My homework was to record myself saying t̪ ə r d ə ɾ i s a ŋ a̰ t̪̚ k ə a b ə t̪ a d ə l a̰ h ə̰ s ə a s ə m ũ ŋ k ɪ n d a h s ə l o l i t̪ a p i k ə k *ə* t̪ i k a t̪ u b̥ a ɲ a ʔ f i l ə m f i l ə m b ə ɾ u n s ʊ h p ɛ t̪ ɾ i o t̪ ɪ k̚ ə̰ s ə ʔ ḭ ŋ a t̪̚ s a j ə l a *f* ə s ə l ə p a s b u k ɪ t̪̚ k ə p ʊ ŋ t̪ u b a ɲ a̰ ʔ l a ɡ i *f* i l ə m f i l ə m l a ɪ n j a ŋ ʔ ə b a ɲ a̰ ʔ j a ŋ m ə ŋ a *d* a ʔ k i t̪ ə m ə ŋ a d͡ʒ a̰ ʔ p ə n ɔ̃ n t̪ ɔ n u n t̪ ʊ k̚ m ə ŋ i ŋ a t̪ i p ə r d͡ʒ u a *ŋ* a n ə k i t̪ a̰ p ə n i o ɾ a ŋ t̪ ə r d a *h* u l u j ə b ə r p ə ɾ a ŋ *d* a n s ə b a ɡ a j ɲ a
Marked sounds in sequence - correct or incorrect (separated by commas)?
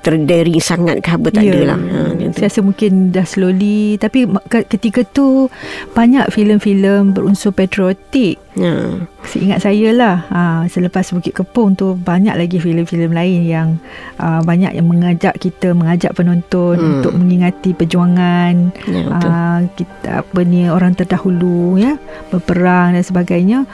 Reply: correct, incorrect, correct, incorrect, correct, correct, correct